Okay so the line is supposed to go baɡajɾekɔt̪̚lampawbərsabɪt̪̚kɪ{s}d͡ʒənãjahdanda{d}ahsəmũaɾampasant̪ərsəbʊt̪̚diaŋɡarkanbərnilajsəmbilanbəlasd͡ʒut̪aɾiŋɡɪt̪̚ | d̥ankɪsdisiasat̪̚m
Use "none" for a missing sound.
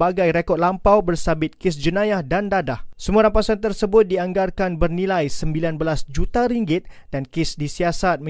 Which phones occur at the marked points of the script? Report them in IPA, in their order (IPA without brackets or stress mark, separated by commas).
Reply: s, d